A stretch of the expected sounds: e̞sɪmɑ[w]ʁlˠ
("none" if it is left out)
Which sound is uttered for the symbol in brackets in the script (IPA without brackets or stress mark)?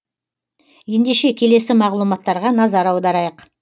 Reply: none